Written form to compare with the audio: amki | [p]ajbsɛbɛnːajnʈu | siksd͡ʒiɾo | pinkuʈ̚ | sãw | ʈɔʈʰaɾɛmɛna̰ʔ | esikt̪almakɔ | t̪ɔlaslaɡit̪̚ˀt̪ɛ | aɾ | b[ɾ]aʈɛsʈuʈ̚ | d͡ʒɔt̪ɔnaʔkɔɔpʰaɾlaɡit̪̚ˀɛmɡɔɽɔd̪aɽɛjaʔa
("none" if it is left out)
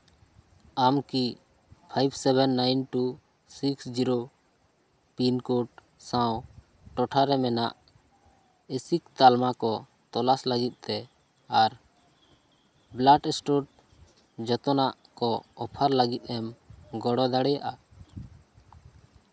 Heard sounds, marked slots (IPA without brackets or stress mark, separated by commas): pʰ, l